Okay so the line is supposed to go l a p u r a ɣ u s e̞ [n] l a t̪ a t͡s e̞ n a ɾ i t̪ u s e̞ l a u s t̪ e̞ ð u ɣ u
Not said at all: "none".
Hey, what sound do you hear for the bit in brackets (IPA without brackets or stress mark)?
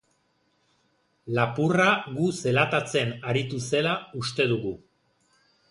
none